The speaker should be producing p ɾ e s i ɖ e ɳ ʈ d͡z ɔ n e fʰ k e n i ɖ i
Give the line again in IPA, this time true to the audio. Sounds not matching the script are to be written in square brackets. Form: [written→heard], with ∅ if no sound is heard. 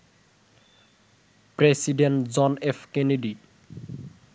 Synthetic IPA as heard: p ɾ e s i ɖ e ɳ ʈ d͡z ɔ n e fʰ k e n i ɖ i